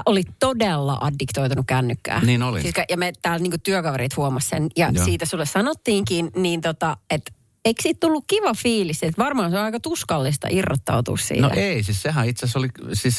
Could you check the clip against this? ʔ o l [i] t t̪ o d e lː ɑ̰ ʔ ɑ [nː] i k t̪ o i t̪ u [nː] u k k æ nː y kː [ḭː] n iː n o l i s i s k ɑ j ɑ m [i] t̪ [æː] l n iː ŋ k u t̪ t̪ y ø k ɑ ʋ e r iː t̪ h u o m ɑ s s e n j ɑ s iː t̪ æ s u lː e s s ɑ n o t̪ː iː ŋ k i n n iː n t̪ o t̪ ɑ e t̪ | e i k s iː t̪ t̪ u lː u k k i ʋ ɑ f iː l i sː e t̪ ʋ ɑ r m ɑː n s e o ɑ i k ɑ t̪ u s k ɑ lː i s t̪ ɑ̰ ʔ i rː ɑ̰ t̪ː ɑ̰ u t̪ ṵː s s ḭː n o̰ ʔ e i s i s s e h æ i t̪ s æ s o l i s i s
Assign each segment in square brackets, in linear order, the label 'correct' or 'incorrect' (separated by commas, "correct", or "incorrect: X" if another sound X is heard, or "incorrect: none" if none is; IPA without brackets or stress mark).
correct, incorrect: dː, incorrect: n, incorrect: æ̰ː, incorrect: e, correct